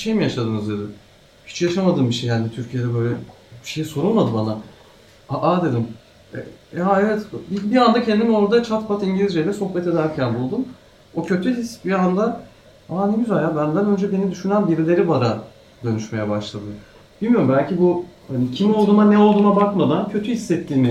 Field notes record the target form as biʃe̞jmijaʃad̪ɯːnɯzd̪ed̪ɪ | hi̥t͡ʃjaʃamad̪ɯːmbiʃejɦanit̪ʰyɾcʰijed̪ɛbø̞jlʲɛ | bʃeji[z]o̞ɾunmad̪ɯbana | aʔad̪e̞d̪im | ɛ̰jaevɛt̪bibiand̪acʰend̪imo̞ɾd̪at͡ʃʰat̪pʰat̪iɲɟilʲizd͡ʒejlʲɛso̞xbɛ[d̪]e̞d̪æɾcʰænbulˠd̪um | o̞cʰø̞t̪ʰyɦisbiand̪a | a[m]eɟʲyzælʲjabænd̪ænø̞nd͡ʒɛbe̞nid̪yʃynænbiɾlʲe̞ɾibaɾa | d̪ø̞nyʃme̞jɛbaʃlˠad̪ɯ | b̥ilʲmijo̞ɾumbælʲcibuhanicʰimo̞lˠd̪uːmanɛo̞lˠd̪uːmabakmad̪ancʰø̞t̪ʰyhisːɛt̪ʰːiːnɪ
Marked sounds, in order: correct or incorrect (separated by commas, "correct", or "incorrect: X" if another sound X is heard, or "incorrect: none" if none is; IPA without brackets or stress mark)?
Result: incorrect: s, incorrect: t̪, incorrect: n